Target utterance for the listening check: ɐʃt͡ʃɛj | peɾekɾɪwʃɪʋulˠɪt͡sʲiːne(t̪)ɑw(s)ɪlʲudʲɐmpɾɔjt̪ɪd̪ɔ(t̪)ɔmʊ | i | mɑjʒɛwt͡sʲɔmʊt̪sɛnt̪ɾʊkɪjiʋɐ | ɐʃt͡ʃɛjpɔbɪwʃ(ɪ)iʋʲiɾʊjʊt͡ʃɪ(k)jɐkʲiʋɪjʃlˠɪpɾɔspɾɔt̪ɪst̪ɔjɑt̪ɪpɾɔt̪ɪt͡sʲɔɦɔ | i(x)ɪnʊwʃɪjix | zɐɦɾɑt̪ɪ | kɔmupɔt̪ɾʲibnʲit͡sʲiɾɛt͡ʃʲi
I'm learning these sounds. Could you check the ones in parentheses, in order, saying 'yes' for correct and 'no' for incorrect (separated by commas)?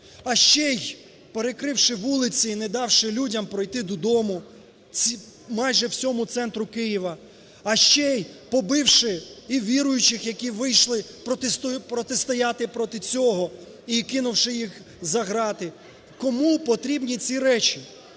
no, no, no, yes, no, no